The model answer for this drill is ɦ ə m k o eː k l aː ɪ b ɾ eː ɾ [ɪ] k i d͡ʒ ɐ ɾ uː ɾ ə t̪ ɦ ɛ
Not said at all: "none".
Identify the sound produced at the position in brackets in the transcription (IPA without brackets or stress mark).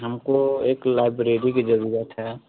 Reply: i